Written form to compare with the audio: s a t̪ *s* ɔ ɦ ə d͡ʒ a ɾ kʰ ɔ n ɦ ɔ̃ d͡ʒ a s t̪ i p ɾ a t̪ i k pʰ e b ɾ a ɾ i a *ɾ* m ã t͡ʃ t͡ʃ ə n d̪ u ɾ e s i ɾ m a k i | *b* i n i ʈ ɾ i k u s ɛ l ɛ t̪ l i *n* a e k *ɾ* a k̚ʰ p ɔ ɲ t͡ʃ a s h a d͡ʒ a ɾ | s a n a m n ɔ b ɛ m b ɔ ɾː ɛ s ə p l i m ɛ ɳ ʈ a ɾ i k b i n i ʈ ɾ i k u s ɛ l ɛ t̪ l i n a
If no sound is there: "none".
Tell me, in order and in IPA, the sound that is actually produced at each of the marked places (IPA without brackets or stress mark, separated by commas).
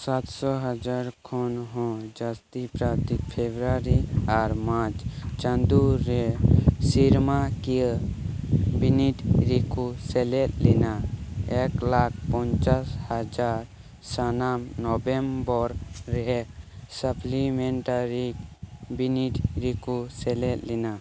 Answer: s, ɾ, b, n, l